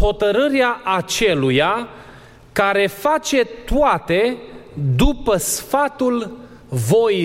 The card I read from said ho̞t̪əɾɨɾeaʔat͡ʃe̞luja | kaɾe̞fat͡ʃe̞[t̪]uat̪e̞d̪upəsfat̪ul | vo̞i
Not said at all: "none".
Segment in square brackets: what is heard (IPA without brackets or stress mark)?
t̪